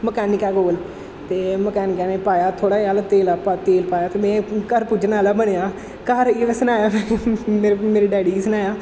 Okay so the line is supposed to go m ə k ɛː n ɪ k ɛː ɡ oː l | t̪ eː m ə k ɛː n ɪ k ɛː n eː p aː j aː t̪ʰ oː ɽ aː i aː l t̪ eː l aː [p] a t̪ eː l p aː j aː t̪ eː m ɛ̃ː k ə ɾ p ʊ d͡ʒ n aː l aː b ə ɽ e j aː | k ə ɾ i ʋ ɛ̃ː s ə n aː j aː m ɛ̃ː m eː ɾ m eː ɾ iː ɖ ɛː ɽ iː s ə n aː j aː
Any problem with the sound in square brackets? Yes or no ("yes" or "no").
no